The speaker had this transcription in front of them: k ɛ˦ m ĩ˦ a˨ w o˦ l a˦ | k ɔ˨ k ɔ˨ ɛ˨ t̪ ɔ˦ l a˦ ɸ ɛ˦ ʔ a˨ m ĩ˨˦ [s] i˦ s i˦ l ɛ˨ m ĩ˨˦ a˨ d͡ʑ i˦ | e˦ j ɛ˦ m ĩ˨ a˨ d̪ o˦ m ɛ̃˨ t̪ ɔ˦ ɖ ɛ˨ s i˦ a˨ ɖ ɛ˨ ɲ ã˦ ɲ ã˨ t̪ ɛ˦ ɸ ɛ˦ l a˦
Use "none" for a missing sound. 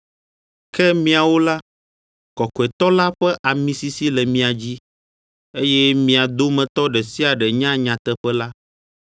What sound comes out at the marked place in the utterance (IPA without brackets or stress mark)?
s